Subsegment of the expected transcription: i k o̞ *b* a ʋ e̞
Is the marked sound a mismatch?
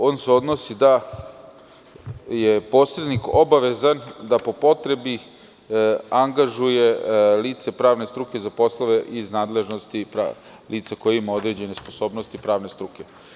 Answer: no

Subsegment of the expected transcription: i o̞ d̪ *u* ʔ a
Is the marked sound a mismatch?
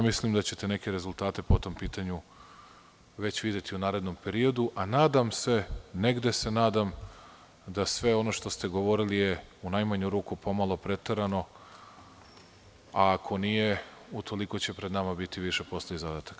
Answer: no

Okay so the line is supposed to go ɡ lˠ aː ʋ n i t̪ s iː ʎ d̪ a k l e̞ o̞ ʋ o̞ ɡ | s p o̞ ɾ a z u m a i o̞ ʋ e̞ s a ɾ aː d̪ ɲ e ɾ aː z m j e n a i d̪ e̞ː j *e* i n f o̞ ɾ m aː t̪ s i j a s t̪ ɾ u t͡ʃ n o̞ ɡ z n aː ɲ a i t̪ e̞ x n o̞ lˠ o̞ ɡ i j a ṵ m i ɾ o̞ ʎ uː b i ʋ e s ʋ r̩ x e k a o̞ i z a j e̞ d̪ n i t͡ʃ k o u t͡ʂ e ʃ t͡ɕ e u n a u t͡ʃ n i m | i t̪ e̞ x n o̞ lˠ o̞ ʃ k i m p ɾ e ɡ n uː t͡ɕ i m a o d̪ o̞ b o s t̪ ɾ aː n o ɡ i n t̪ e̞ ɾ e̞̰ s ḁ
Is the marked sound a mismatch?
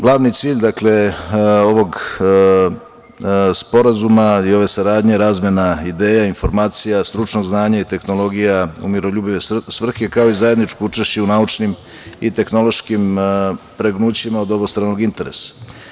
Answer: yes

